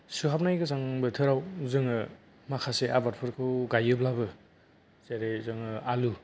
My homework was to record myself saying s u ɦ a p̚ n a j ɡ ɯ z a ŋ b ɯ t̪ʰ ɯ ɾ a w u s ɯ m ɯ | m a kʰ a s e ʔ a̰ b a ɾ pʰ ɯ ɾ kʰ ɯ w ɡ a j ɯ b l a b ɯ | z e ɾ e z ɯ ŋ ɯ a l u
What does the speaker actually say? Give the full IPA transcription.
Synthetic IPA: s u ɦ a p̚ n a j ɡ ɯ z a ŋ b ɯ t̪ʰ ɯ ɾ a w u z ɯ ŋ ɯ | m a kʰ a s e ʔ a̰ b a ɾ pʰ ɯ ɾ kʰ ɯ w ɡ a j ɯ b l a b ɯ | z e ɾ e z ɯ ŋ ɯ a l u

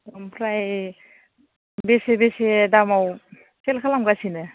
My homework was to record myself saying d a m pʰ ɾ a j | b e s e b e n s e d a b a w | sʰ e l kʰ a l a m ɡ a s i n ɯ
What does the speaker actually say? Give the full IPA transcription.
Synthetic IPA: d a m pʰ ɾ a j | b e s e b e s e d a m a w | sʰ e l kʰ a l a m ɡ a s i n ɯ

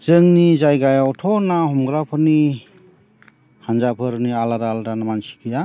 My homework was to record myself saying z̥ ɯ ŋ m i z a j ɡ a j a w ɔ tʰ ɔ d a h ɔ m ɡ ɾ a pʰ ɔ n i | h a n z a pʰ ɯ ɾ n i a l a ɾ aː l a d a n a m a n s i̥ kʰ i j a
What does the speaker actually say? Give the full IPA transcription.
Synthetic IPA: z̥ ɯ ŋ n i z a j ɡ a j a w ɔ tʰ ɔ n a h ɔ m ɡ ɾ a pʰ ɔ n i | h a n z a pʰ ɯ ɾ n i a l a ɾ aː l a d a n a m a n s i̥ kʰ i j a

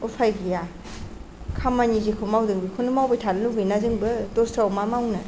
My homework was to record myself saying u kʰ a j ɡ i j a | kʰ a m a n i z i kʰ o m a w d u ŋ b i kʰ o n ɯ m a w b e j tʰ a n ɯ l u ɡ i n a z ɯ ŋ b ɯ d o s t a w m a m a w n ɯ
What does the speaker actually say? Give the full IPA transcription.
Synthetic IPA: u pʰ a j ɡ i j a | kʰ a m a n i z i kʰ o m a w d ɯ ŋ b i kʰ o n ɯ m a w b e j tʰ a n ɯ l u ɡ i n a z ɯ ŋ b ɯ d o s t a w m a m a w n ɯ

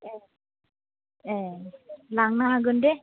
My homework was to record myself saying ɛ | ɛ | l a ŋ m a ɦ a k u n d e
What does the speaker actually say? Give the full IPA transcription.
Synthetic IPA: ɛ | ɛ | l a ŋ n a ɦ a ɡ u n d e

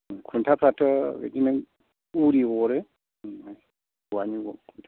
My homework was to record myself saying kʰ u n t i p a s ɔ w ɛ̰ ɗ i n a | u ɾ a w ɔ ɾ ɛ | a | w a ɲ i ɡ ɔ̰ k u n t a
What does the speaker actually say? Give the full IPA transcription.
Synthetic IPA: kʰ u n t a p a t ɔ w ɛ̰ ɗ i n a | u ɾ i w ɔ ɾ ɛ | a | w a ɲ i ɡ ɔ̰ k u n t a

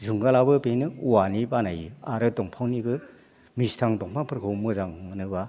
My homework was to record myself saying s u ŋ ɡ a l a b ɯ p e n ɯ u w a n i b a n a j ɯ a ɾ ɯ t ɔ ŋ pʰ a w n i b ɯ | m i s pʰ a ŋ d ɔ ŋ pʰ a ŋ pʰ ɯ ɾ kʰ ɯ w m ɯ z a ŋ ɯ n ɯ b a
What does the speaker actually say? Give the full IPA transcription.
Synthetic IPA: z u ŋ ɡ a l a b ɯ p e n ɯ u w a n i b a n a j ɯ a ɾ ɯ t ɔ ŋ pʰ a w n i b ɯ | m i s tʰ a ŋ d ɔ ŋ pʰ a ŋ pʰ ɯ ɾ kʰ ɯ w m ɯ z a ŋ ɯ n ɯ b a

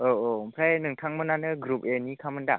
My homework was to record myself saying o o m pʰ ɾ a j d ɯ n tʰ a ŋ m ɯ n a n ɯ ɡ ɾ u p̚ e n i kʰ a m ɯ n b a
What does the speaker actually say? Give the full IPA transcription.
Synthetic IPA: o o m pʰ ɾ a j n ɯ ŋ tʰ a ŋ m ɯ n a n ɯ ɡ ɾ u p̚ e n i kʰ a m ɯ n d a

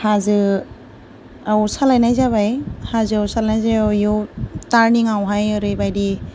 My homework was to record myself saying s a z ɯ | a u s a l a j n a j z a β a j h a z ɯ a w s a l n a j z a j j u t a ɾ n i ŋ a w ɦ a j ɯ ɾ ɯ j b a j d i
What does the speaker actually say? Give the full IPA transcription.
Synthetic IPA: h a z ɯ | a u s a l a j n a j z a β a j h a z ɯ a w s a l n a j z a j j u t a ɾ n i ŋ a w ɦ a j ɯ ɾ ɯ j b a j d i

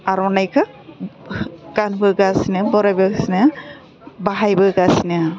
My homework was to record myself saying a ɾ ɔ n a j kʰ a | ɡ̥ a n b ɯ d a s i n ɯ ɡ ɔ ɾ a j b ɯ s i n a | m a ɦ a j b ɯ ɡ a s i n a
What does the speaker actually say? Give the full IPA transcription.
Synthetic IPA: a ɾ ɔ n a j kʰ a | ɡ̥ a n b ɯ ɡ a s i n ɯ b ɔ ɾ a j b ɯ s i n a | b a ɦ a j b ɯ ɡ a s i n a

